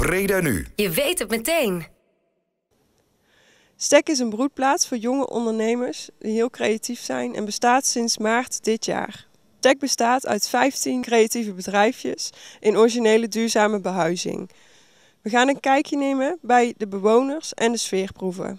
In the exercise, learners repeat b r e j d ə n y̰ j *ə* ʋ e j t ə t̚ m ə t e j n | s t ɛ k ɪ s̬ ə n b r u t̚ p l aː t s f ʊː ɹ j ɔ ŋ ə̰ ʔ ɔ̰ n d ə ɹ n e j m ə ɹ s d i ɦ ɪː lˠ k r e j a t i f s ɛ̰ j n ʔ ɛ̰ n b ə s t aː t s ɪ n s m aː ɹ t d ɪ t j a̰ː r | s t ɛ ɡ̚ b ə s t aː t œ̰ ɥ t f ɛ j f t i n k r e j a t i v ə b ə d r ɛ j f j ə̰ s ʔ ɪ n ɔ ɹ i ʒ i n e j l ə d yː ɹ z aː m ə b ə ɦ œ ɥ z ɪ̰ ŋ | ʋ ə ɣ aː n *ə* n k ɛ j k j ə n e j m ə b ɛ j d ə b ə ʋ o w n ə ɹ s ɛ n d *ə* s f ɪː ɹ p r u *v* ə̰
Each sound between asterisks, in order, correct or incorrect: correct, correct, correct, correct

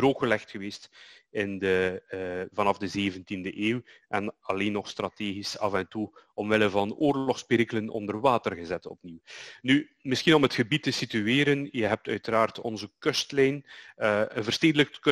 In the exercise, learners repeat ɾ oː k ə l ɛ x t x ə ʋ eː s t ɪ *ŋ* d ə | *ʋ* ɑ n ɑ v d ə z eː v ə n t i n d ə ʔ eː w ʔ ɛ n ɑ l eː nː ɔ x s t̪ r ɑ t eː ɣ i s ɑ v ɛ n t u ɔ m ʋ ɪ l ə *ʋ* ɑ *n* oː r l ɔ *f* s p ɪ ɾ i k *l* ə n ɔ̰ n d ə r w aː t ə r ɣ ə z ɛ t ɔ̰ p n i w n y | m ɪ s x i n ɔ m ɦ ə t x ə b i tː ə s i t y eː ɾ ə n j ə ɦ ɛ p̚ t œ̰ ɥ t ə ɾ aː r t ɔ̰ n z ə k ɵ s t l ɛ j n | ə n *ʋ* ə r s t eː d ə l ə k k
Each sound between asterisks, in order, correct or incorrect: incorrect, incorrect, incorrect, correct, incorrect, correct, incorrect

